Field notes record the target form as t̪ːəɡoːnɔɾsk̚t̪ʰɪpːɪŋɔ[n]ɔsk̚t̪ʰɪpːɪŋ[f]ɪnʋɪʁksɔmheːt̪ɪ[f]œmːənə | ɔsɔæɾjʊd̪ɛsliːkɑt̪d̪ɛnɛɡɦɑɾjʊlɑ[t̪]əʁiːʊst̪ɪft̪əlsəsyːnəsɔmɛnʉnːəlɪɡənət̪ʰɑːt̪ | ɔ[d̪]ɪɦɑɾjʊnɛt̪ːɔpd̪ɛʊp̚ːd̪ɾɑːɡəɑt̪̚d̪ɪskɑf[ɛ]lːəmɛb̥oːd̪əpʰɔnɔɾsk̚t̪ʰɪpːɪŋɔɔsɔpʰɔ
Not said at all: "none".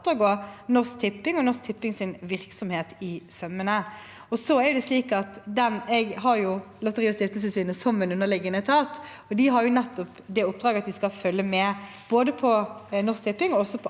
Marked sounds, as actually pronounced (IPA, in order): n, s, s, t̪, d̪, œ

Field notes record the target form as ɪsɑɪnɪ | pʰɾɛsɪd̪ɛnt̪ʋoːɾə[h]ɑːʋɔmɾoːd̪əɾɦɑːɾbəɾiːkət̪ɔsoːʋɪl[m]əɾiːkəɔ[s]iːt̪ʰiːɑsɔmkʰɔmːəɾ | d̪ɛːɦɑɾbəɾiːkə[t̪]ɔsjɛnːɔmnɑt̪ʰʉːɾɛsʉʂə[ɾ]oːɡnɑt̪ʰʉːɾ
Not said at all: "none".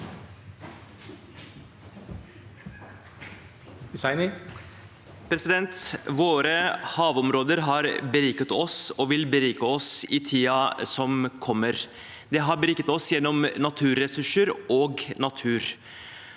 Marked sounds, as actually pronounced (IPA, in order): h, b, s, t̪, ɾ

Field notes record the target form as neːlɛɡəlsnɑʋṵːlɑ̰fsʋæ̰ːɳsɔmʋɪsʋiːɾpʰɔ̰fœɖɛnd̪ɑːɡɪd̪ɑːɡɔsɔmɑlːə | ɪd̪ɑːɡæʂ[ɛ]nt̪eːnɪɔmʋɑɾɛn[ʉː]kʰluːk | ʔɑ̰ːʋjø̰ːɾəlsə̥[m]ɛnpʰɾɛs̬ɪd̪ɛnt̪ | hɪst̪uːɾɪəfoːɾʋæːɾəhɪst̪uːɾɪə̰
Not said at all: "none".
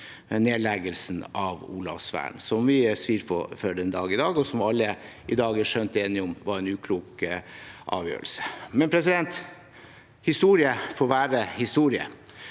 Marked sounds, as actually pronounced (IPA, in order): œ, ʉː, m

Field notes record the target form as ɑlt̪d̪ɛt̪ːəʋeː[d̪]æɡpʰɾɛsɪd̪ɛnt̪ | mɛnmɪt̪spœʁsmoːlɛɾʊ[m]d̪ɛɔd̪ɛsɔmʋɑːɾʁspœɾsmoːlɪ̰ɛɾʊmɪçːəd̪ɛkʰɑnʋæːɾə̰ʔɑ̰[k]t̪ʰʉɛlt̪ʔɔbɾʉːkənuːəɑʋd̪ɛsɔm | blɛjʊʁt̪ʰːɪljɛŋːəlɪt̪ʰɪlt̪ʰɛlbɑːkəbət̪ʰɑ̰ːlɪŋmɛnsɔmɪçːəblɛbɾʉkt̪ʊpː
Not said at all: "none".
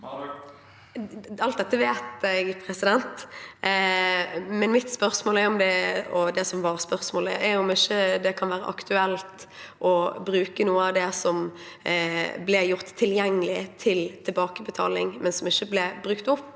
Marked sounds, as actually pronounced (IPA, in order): t̪, m, k

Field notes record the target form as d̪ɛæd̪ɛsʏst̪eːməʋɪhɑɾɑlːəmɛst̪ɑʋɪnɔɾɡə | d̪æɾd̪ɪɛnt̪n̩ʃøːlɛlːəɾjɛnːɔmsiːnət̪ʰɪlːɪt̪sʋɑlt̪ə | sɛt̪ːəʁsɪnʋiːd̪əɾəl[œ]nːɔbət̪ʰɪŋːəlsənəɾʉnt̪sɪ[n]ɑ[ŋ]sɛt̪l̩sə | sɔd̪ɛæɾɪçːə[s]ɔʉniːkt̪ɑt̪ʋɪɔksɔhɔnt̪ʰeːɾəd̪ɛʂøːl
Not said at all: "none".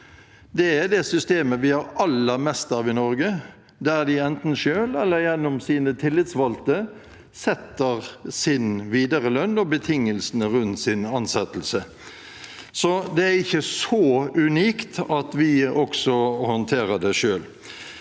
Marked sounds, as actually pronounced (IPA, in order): œ, n, n, s

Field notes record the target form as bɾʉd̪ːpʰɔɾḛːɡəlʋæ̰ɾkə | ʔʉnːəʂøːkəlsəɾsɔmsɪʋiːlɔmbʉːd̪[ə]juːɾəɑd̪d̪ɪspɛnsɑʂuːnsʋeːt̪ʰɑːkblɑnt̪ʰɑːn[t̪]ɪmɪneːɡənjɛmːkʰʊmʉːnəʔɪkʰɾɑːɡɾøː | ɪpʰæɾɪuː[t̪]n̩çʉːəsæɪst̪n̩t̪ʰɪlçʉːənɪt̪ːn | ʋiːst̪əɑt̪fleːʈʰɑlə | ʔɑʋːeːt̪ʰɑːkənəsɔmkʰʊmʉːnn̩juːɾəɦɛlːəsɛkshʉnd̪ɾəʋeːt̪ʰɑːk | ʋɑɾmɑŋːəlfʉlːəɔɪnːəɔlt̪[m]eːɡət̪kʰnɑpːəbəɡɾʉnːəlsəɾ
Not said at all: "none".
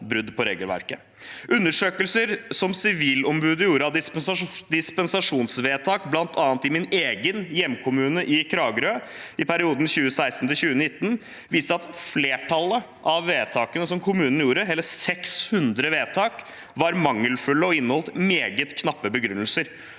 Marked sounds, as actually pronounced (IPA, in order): ə, t̪, d̪, m

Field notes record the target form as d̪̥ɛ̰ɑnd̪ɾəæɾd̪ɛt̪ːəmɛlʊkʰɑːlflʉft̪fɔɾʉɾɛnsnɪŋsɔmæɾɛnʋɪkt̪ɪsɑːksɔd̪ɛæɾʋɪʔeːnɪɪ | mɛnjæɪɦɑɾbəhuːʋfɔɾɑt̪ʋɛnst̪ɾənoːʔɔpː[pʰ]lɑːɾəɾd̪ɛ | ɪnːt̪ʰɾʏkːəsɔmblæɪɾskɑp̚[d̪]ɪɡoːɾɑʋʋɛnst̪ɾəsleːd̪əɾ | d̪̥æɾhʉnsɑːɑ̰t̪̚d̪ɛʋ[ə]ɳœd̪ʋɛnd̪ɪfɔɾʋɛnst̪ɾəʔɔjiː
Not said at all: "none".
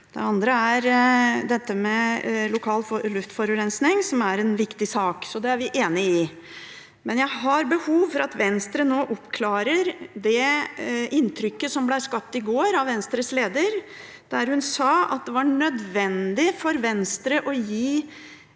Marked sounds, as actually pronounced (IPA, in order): kʰ, t̪, ɑ

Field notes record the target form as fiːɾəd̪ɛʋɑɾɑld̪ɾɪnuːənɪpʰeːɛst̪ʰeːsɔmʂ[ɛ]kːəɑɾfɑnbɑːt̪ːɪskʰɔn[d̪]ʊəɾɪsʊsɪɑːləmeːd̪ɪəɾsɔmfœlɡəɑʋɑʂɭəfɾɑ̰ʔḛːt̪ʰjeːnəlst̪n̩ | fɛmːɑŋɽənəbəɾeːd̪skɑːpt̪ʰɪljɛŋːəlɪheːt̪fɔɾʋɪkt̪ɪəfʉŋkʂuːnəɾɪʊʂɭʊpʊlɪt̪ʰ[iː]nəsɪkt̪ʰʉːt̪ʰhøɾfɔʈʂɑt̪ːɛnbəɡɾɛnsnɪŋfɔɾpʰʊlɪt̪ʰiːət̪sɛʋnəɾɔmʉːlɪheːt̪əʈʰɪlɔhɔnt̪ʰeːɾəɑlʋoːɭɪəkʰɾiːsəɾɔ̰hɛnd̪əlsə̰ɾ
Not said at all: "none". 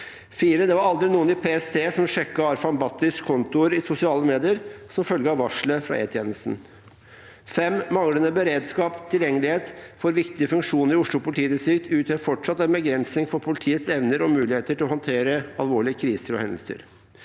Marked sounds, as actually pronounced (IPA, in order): ɛ, t̪, iː

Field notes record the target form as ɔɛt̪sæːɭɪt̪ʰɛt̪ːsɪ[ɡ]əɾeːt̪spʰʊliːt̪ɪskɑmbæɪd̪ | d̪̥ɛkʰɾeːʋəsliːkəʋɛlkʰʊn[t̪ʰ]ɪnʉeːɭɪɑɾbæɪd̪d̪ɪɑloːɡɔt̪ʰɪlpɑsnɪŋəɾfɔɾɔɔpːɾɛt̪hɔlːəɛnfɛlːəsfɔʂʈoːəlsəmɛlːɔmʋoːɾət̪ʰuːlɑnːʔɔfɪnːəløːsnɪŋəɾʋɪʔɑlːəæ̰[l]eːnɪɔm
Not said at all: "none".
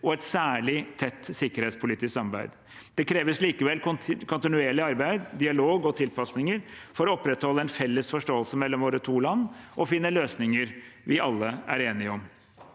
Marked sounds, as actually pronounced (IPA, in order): k, t̪, ɾ

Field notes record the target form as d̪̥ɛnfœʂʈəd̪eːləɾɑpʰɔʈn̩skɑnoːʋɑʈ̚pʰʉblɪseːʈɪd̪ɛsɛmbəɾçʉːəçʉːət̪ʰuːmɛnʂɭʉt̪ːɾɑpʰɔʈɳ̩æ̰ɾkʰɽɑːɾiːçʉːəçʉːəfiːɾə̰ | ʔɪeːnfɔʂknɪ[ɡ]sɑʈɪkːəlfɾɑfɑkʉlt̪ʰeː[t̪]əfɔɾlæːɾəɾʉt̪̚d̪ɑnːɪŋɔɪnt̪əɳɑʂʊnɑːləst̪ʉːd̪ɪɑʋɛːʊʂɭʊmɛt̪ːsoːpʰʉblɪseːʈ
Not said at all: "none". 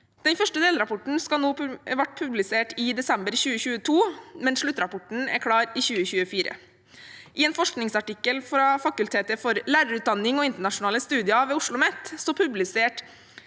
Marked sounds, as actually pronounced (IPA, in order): ŋ, t̪

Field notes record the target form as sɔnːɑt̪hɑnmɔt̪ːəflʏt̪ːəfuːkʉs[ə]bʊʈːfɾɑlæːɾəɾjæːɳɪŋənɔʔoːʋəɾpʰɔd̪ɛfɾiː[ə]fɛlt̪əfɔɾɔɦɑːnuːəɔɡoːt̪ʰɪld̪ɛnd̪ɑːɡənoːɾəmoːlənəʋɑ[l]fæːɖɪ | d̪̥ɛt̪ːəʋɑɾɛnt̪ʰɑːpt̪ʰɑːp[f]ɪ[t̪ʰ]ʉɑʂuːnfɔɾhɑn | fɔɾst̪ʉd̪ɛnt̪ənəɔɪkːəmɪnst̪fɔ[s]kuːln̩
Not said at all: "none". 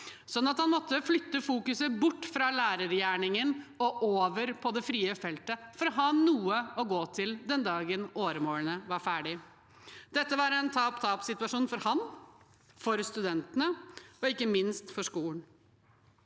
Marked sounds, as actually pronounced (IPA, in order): ə, ə, ɾ, s, t̪, ʂ

